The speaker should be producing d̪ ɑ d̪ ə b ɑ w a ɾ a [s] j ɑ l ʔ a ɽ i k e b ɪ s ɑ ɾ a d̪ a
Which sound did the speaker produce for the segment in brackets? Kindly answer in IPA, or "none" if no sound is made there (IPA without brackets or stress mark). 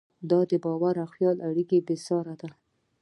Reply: x